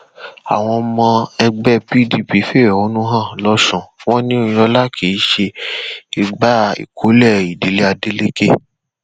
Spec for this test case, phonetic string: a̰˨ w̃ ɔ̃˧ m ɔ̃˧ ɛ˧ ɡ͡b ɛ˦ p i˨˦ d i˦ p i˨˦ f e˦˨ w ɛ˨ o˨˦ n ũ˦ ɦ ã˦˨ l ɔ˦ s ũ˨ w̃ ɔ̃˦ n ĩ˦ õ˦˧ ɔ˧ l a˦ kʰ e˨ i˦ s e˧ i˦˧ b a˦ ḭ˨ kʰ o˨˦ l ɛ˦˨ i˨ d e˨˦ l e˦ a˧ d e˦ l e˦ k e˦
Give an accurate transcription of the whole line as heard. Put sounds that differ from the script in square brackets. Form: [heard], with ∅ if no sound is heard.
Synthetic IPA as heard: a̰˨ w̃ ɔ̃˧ m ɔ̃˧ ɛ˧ ɡ͡b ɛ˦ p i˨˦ d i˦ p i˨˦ f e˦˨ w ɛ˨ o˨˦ n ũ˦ ɦ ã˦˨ l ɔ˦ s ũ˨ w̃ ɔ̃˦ n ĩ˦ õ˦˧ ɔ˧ l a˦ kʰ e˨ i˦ [ʃ] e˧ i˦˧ [ɡ͡b] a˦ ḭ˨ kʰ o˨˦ l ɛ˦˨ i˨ d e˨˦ l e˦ a˧ d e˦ l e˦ k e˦